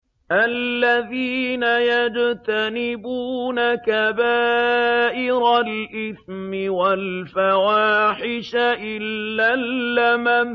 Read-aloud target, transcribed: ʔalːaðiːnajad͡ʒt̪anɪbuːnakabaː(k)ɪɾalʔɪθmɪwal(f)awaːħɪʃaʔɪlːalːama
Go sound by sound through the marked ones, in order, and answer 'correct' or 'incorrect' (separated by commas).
incorrect, correct